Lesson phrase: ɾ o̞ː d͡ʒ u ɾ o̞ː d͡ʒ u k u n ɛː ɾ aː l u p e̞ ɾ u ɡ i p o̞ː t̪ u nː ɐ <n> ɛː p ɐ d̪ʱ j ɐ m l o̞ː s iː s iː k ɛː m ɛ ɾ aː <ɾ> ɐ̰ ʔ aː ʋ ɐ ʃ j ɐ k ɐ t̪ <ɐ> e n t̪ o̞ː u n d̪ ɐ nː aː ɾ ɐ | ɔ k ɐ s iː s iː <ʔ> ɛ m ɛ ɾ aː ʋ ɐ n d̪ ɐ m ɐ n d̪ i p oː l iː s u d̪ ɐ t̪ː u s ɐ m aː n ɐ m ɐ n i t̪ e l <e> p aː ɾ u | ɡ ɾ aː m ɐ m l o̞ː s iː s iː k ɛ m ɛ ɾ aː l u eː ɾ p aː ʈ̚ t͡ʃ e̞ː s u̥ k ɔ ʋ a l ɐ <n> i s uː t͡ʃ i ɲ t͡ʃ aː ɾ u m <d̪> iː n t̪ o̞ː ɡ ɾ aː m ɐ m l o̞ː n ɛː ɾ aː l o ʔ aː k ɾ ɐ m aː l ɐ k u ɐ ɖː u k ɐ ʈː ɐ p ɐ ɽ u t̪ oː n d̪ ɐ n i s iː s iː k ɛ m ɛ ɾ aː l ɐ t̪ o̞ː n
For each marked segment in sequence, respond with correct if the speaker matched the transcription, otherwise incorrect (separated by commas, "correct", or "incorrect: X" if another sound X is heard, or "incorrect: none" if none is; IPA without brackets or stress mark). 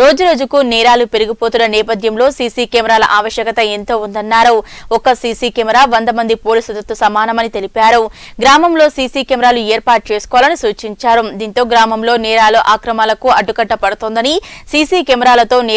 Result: correct, incorrect: l, correct, incorrect: k, incorrect: i, correct, correct